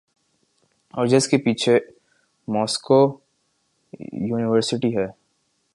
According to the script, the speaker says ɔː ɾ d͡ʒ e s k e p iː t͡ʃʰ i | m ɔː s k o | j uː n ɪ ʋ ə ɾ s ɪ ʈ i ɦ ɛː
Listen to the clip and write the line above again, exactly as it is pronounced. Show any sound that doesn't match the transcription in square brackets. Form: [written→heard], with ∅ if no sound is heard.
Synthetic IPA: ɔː ɾ d͡ʒ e s k e p iː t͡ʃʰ [i→e] | m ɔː s k o | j uː n ɪ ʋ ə ɾ s ɪ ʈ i ɦ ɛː